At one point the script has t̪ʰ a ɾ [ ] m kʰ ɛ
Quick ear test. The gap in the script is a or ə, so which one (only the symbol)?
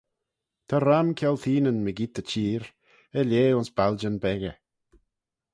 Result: a